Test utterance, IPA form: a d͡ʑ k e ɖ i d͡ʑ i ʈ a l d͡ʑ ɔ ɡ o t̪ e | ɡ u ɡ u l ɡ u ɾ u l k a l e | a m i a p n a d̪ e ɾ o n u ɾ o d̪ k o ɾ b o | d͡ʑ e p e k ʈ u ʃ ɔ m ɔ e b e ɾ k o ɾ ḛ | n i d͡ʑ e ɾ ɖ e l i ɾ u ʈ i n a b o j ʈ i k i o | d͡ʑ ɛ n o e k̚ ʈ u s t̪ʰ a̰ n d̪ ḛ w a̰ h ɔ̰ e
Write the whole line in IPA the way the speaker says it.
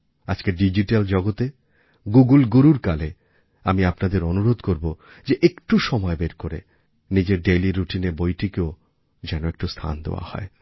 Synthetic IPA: a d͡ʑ k e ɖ i d͡ʑ i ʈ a l d͡ʑ ɔ ɡ o t̪ e | ɡ u ɡ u l ɡ u ɾ u ɾ k a l e | a m i a p n a d̪ e ɾ o n u ɾ o d̪ k o ɾ b o | d͡ʑ e ʔ e k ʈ u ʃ ɔ m ɔ e b e ɾ k o ɾ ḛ | n i d͡ʑ e ɾ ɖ e l i ɾ u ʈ i n e b o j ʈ i k e o | d͡ʑ ɛ n o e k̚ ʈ u s t̪ʰ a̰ n d̪ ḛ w a̰ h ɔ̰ e